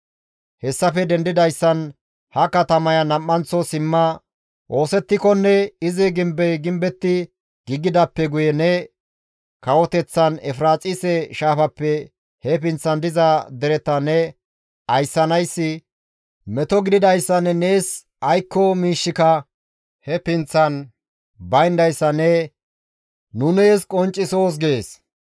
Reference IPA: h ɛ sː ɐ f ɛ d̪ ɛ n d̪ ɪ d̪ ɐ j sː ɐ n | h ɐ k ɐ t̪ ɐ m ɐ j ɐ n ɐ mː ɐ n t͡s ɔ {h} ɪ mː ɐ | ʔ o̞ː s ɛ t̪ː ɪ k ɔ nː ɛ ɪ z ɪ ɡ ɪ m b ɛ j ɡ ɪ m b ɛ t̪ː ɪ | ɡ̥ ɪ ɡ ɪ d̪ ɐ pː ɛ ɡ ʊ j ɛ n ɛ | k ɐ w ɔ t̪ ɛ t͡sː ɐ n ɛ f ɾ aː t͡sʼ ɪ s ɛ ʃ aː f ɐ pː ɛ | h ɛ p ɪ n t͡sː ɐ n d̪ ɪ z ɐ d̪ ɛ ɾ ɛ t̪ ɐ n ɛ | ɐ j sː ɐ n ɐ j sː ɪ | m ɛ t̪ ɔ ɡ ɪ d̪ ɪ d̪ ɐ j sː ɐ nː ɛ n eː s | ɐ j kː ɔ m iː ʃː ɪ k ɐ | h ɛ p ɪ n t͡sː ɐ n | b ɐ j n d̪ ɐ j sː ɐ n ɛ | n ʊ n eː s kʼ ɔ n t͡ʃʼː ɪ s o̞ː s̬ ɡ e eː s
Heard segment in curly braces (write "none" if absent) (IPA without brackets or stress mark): s